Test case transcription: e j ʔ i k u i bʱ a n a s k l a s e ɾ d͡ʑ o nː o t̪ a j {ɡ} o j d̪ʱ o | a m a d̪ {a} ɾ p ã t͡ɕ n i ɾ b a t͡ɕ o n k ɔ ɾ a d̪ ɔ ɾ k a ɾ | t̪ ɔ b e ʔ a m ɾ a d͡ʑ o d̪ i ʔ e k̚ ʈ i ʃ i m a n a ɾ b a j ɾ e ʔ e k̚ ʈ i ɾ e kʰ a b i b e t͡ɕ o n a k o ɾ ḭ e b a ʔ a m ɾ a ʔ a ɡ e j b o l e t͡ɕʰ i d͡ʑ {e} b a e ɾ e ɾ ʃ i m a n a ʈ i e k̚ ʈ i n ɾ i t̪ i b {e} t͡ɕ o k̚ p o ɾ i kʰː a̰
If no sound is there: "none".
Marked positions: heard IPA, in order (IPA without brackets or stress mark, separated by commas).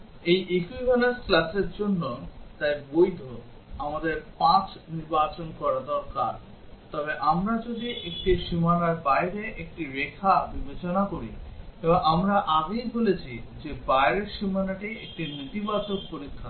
b, e, e, a